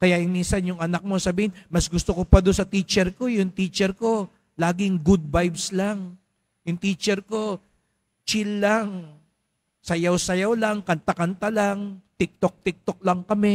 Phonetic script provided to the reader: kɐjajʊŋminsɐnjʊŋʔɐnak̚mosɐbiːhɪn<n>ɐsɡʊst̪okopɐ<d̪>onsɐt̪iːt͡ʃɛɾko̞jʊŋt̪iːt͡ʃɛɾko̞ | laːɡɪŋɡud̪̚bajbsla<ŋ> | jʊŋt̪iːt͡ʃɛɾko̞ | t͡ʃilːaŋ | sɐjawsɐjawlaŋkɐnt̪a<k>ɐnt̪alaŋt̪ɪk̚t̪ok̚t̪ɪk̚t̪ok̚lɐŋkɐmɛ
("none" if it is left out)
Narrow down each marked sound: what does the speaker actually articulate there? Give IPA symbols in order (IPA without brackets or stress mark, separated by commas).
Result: m, d̪, ŋ, k